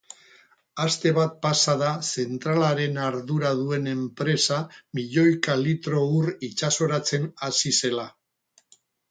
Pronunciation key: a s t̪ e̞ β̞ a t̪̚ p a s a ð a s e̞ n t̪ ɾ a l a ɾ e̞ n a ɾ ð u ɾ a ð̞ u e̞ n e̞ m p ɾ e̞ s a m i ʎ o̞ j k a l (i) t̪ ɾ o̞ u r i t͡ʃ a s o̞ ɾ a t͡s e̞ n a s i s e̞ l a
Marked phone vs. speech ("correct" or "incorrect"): correct